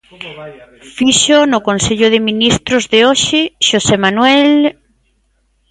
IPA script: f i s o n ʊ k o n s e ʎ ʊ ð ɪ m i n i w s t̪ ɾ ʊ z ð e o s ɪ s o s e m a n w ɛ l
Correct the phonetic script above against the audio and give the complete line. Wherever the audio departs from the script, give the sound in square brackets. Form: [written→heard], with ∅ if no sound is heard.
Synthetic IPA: f i [s→ʃ] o n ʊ k o n s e ʎ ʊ ð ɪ m i n i [w→∅] s t̪ ɾ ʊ z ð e o [s→ʃ] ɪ [s→ʃ] o s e m a n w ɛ l